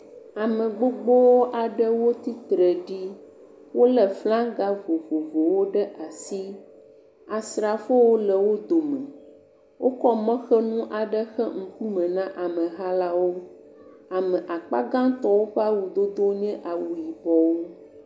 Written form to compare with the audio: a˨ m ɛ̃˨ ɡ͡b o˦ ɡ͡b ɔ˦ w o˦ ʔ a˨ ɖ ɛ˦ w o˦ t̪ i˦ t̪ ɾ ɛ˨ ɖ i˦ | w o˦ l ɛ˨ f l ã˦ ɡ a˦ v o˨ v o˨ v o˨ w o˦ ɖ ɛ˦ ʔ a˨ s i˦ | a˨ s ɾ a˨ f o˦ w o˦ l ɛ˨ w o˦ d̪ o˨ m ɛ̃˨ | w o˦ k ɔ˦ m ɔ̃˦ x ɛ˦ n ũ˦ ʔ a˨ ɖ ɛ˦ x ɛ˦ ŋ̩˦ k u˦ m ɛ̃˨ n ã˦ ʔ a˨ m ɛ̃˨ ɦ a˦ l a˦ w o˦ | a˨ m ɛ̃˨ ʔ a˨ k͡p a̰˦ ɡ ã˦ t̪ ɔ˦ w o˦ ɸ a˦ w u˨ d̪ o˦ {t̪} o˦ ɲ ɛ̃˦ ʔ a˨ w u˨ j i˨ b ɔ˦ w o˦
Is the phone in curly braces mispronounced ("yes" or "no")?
yes